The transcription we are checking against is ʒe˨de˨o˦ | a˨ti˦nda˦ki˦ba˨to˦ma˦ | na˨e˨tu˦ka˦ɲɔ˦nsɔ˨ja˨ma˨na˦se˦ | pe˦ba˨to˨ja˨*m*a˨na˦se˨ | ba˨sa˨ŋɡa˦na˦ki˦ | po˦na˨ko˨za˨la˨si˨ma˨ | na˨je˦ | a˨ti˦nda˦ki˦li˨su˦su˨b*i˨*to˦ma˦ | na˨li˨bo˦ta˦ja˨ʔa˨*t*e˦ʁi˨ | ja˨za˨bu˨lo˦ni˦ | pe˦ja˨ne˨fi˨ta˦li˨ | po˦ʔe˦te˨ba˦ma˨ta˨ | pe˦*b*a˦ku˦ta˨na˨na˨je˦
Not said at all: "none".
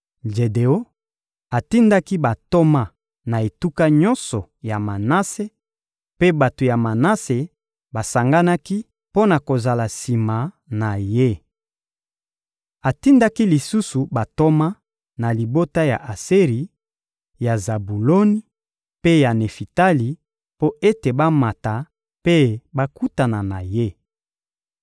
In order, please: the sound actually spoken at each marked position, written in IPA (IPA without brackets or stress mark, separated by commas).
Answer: m, a˨, s, b